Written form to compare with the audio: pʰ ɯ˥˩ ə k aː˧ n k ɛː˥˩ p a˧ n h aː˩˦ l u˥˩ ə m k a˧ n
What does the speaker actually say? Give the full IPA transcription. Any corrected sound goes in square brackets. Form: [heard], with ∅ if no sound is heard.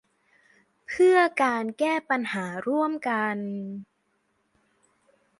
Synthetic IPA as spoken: pʰ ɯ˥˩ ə k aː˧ n k ɛː˥˩ p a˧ n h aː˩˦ [ɾ] u˥˩ ə m k a˧ n